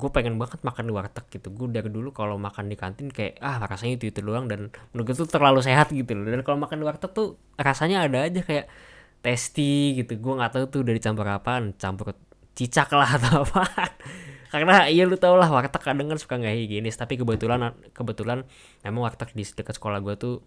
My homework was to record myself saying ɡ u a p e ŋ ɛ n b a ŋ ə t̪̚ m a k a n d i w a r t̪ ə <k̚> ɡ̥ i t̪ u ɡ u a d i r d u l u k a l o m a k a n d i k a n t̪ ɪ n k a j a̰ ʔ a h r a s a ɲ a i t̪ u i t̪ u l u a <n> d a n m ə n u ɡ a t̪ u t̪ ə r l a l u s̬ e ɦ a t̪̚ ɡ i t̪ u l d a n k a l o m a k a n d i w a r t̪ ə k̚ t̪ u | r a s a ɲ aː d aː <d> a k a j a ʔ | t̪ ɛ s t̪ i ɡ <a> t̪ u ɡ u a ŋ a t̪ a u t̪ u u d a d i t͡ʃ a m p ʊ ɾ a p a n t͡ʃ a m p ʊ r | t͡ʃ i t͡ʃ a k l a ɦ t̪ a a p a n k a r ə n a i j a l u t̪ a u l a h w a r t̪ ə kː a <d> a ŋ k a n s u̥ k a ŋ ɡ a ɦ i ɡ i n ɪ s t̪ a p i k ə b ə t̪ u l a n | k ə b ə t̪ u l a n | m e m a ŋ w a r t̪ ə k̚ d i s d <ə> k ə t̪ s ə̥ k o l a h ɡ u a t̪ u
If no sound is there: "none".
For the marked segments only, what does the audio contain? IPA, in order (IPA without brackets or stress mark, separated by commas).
k̚, ŋ, d͡ʒ, i, d, ə